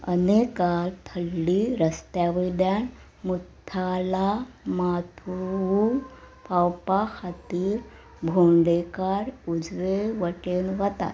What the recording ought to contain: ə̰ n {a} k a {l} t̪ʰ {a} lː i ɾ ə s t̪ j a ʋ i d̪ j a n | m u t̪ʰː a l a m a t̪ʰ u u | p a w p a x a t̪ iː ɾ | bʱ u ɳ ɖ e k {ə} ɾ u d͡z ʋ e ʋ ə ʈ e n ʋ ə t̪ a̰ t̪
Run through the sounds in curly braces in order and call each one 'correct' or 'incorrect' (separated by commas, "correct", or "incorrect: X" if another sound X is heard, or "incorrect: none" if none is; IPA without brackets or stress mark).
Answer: incorrect: e, correct, incorrect: ə, incorrect: a